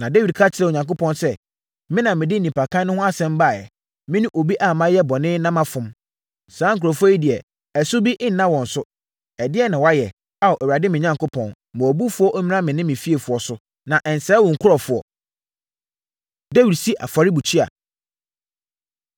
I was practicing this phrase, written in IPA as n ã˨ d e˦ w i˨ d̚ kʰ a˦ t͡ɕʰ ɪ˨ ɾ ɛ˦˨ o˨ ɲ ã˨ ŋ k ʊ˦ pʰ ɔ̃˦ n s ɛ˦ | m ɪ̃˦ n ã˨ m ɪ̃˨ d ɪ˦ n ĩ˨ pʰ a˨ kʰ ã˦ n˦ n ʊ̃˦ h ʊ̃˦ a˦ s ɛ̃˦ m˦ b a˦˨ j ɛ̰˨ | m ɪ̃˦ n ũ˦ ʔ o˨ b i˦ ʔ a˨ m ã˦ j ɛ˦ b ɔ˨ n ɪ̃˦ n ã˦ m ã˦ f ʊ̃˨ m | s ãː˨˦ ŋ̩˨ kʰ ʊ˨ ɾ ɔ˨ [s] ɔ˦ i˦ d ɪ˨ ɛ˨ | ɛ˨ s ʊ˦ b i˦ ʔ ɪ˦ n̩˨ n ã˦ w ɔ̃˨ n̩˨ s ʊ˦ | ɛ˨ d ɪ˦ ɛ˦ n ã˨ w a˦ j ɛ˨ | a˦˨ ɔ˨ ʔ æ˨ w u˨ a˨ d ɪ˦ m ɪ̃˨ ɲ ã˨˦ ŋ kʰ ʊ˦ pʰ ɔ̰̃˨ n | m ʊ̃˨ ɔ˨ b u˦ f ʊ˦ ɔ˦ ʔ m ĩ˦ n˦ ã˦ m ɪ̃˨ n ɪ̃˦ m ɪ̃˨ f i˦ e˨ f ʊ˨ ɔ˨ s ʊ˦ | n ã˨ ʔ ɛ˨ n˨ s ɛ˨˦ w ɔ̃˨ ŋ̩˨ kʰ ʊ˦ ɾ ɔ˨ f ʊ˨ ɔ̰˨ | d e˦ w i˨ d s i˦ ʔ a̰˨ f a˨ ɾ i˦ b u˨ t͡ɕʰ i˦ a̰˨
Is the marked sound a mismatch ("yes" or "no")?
yes